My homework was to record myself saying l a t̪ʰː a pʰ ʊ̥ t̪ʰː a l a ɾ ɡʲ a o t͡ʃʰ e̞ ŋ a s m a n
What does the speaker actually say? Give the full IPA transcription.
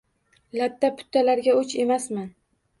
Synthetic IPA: l a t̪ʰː a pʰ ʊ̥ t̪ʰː a l a ɾ ɡʲ a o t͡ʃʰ e̞ m a s m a n